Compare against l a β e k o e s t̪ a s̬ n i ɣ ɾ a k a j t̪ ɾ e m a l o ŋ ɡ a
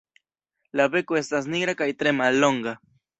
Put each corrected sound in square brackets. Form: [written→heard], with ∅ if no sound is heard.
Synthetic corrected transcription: l a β e k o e s t̪ a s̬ n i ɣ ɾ a k a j t̪ ɾ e m a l o ŋ ɡ a